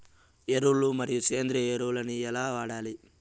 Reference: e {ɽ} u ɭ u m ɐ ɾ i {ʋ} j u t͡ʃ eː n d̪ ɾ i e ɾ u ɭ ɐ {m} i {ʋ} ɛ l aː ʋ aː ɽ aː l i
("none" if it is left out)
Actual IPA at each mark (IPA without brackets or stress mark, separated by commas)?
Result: ɾ, none, n, none